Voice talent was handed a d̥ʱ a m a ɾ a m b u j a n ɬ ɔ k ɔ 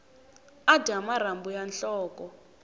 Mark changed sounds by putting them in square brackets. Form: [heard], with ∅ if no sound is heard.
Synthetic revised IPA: a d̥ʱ a m a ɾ a m b u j a n ɬ [ɔː] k ɔ